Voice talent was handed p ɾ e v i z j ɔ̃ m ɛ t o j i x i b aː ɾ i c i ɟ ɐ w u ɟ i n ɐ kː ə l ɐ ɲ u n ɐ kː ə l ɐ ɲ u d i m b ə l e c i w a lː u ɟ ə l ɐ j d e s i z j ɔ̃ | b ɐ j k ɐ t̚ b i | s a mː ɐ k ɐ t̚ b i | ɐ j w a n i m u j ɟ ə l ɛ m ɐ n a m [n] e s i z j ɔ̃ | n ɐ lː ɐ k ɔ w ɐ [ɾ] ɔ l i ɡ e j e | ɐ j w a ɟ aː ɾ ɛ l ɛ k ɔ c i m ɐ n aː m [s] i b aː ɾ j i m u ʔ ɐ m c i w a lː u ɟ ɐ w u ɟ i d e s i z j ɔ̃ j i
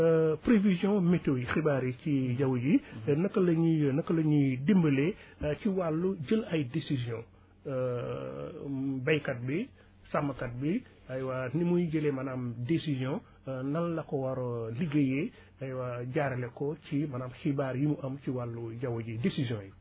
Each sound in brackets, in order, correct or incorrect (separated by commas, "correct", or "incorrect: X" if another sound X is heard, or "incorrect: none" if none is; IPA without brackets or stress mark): incorrect: d, correct, incorrect: x